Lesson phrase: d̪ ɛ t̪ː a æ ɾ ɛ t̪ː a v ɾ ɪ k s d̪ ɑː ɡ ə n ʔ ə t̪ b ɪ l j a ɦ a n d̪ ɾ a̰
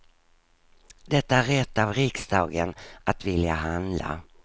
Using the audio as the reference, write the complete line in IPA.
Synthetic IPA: d̪ ɛ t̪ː a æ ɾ ɛ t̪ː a v ɾ ɪ k s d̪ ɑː ɡ ə n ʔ a t̪ v ɪ l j a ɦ a n d̪ l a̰